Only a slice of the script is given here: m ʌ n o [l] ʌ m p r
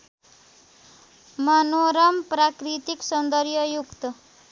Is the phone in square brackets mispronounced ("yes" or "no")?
yes